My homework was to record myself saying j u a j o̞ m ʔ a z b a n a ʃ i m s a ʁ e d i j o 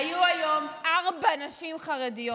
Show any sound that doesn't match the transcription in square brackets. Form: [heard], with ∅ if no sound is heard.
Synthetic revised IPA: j u a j o̞ m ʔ a [ʁ] b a n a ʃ i m [χ] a ʁ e d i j o

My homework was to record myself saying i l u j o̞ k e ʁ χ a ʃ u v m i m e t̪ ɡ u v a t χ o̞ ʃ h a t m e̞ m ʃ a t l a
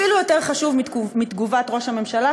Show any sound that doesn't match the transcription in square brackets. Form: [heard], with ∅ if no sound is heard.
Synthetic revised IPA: i l u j o̞ [t] e ʁ χ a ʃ u v m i m [i] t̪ ɡ u v a t [ʁ] o̞ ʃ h a [∅] m e̞ m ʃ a [∅] l a

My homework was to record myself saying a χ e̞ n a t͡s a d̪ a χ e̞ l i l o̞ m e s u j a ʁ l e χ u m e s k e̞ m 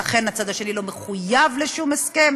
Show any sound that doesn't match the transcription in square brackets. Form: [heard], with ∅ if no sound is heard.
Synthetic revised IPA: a χ e̞ n a t͡s a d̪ a [ʃ] e̞ l i l o̞ m e [χ] u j a [v] l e [ʃ] u m e s k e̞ m

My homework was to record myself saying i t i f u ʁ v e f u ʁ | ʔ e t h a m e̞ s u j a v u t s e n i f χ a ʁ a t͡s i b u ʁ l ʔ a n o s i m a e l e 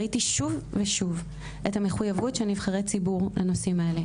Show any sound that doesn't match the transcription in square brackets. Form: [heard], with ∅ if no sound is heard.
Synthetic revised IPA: i t i [ʃ] u [v] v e [ʃ] u [v] | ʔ e t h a m e̞ [χ] u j a v u t [ʃ] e n i [v] χ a ʁ [e] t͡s i b u ʁ l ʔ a n o s i m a e l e

